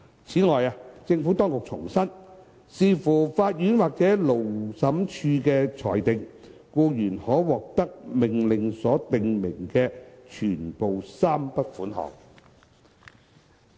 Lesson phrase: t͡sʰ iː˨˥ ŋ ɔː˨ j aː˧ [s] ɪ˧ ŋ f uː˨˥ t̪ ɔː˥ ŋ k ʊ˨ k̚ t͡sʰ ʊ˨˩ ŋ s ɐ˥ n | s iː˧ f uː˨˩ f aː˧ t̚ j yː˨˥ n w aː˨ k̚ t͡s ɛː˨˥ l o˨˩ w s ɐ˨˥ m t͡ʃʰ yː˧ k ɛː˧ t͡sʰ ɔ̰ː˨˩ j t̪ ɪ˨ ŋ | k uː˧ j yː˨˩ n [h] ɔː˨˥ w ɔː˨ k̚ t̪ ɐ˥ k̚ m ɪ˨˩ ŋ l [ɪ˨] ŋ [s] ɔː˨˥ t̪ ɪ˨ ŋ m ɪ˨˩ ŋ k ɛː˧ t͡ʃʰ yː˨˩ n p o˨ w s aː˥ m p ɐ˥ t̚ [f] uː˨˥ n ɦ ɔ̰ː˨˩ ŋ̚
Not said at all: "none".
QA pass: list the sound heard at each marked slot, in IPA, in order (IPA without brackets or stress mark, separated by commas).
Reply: t͡s, h, ɪ˨, s, f